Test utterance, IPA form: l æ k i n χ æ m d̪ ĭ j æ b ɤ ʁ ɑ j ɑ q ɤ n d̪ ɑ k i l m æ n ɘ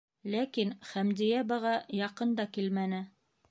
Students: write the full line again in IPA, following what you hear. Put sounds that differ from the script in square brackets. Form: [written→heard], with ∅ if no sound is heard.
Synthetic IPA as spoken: l æ k i n χ æ m d̪ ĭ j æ b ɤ ʁ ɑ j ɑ q ɤ n d̪ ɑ k i l m æ n ɘ